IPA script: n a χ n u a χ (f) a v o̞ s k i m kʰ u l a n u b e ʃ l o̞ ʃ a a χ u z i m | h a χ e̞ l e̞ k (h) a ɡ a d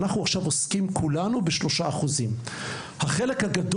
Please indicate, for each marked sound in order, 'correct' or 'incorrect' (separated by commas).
incorrect, correct